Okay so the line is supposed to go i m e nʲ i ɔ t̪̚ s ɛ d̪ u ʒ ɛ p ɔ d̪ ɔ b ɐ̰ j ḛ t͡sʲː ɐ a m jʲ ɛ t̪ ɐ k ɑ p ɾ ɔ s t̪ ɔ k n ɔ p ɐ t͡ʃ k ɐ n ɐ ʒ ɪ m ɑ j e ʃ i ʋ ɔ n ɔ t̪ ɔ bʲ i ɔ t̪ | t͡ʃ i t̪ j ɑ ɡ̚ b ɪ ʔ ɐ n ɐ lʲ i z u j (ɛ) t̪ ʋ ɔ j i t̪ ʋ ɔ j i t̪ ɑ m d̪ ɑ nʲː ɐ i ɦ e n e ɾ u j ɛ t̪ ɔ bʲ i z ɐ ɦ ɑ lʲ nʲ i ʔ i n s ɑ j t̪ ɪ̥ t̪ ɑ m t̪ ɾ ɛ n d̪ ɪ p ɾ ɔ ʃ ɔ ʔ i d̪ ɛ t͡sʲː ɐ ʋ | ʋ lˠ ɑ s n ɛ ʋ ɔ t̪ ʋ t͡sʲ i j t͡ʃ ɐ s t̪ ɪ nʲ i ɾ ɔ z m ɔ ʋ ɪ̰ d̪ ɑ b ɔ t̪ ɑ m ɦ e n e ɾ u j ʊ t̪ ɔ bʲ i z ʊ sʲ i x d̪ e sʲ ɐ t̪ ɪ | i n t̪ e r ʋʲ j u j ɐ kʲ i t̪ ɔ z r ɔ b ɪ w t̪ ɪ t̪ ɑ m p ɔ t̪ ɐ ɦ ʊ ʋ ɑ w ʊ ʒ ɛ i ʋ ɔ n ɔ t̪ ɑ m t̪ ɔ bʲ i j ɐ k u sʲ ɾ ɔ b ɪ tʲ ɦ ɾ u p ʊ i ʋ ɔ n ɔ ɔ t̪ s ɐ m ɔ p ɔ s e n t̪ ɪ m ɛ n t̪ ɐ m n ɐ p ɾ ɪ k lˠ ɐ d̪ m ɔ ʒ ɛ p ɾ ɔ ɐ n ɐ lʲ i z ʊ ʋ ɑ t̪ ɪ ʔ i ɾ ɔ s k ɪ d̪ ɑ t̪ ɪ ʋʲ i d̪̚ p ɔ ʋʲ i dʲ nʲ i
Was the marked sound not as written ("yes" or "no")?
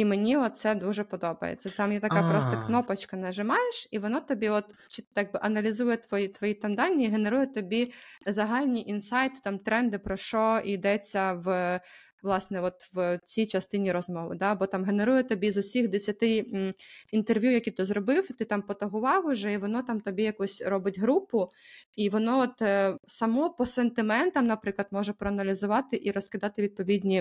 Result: no